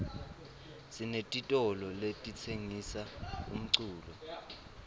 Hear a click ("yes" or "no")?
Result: yes